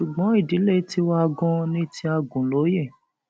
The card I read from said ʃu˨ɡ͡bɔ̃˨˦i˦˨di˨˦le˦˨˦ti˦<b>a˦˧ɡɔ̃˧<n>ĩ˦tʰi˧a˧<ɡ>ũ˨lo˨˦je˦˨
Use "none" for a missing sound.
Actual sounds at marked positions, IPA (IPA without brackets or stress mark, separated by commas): w, n, ɡ